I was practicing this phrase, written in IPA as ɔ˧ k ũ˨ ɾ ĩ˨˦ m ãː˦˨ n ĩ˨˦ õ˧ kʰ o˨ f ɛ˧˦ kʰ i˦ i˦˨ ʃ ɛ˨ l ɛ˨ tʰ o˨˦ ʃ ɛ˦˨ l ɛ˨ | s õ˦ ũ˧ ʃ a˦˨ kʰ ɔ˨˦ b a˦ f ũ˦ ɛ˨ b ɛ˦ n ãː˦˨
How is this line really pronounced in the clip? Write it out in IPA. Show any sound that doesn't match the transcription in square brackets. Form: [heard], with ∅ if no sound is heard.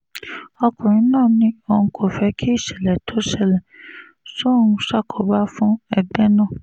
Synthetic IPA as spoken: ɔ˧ k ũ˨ ɾ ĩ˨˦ [n] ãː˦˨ n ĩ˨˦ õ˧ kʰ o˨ f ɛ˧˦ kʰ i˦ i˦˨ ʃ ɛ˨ l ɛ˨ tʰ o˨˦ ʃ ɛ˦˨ l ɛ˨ | s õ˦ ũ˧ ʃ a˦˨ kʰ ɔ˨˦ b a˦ f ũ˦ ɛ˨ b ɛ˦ n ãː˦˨

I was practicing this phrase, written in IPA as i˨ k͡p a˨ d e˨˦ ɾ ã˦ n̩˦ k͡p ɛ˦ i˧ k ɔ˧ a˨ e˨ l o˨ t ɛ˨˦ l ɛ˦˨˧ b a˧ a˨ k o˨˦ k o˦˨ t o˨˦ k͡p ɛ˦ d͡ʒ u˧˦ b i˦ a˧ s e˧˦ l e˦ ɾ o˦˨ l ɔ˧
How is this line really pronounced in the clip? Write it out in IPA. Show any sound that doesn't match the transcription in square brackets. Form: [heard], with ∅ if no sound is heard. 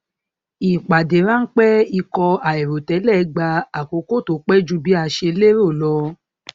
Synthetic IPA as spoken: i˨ k͡p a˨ d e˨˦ ɾ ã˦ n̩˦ k͡p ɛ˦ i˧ k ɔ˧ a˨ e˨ [ɾ] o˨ t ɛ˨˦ l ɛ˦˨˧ [ɡ͡b] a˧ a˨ k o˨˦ k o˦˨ t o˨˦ k͡p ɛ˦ d͡ʒ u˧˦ b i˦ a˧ [ʃ] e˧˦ l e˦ ɾ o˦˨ l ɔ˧

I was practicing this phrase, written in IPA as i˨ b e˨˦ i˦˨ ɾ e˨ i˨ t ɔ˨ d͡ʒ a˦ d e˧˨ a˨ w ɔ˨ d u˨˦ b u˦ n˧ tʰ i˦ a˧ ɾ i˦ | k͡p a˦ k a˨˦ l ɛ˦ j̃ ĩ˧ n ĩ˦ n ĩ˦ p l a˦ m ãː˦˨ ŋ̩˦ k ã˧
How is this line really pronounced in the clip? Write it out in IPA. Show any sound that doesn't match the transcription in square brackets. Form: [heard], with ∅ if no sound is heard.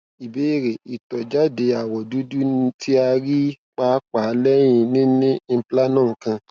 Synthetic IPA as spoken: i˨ b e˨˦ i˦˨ ɾ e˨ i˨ t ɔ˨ d͡ʒ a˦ d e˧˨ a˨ w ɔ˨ d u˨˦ [d] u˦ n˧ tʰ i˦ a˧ ɾ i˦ | k͡p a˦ [k͡p] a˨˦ l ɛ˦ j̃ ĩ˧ n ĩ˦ n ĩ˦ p l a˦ [n] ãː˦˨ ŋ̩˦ k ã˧

